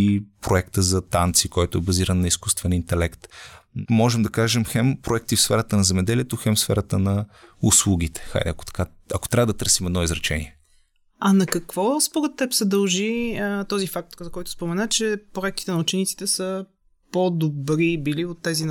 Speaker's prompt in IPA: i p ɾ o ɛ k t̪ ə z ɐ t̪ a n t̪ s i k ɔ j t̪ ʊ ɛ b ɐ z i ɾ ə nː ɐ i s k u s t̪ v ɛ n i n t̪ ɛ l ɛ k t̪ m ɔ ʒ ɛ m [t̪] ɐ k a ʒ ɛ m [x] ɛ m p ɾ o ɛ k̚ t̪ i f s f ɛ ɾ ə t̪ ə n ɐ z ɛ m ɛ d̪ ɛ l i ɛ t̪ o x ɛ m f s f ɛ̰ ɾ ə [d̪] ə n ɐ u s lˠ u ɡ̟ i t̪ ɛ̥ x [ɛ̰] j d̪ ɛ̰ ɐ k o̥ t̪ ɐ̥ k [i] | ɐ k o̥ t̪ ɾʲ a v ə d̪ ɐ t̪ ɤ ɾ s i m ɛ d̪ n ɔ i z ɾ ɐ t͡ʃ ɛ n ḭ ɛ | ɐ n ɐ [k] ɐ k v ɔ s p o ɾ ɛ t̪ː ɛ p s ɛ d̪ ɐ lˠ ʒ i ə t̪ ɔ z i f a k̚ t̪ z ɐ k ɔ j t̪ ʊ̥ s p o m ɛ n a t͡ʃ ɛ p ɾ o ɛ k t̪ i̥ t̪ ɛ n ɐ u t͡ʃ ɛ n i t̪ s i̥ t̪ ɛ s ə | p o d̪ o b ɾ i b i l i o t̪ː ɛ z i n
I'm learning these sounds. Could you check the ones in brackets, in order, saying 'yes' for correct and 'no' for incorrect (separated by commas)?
no, yes, no, no, no, yes